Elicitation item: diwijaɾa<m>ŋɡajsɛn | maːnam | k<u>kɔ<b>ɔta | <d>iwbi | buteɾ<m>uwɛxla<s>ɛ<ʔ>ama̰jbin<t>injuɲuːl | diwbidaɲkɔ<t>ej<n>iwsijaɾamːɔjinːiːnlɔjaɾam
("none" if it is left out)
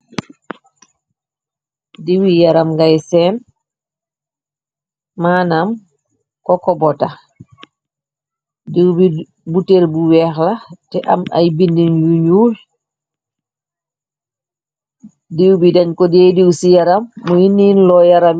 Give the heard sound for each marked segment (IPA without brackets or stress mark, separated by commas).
m, ɔ, b, d, b, t, ʔ, d, d, d